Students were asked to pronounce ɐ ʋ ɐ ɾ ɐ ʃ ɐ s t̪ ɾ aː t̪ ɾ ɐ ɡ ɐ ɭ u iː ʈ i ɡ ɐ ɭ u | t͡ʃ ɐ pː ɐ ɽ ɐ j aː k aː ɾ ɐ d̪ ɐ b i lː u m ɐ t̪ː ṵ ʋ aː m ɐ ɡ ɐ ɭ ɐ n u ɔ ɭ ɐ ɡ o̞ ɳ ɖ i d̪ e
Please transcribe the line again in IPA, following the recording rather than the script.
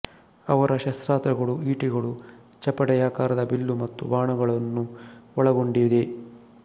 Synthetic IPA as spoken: ɐ ʋ ɐ ɾ ɐ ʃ ɐ s t̪ ɾ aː t̪ ɾ ɐ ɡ ɐ ɭ u iː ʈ i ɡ ɐ ɭ u | t͡ʃ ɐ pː ɐ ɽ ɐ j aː k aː ɾ ɐ d̪ ɐ b i lː u m ɐ t̪ː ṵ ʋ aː ɳ ɐ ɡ ɐ ɭ ɐ nː u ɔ ɭ ɐ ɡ o̞ ɳ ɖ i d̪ e